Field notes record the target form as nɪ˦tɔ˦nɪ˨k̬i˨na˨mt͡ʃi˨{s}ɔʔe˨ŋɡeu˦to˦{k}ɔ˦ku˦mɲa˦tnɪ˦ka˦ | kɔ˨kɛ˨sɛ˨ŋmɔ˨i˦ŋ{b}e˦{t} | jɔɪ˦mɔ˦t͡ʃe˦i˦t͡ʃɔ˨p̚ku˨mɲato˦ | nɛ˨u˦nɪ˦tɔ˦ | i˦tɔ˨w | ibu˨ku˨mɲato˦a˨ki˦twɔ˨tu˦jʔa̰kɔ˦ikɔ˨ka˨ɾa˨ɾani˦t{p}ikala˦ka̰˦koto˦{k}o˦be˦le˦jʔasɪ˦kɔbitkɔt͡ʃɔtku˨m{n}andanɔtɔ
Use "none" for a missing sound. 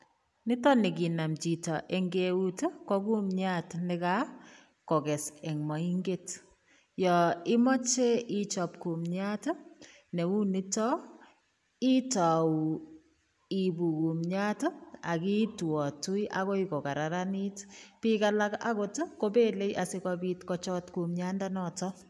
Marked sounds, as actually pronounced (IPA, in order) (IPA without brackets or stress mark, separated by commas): t, k, ɡ, t, p, k, ɲ